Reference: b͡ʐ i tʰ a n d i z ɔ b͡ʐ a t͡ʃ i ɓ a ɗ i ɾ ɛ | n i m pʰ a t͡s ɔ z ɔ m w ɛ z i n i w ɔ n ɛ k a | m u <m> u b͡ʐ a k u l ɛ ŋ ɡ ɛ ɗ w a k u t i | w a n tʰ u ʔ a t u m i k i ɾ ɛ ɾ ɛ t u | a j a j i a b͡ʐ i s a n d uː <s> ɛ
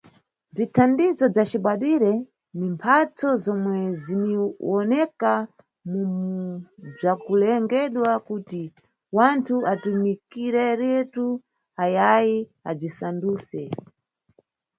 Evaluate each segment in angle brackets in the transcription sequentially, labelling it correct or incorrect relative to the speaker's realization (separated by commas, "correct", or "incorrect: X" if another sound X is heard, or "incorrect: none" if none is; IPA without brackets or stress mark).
correct, correct